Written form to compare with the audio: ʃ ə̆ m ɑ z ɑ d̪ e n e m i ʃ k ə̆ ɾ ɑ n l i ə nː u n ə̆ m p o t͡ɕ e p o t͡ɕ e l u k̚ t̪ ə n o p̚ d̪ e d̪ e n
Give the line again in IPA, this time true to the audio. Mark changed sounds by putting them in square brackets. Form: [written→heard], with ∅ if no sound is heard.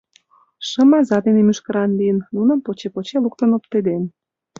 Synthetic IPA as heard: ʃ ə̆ m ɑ z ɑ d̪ e n e m [i→y] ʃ k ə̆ ɾ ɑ n l i ə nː u n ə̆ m p o t͡ɕ e p o t͡ɕ e l u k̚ t̪ ə n o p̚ [d̪→t̪] e d̪ e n